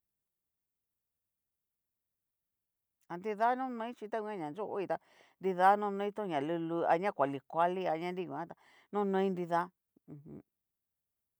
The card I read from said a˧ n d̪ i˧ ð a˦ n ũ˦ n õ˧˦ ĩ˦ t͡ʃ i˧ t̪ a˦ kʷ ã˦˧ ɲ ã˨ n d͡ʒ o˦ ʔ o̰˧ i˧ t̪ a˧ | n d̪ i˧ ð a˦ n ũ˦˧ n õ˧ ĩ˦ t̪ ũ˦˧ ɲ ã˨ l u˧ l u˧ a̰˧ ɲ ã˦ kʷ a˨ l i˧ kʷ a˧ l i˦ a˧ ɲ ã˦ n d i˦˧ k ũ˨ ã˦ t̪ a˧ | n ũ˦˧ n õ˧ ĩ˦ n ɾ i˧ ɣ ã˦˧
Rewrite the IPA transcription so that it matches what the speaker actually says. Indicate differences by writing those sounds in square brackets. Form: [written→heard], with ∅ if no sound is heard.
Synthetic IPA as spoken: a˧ n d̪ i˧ ð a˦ n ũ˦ n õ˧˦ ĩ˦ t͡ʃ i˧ t̪ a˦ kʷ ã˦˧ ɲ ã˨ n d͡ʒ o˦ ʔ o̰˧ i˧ t̪ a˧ | n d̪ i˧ ð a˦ n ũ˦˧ n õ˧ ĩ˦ t̪ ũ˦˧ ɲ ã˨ l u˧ l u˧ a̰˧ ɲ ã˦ kʷ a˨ l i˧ kʷ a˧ l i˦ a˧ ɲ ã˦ n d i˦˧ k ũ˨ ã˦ t̪ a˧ | n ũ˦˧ n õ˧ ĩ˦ n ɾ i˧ [ɣ→ð] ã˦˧